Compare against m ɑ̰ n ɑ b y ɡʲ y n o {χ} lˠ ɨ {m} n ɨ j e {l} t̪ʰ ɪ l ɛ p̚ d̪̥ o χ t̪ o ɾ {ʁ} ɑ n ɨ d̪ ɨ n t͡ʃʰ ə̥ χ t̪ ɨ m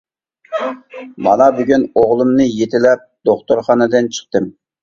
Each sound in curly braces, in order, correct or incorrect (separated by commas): incorrect, correct, incorrect, incorrect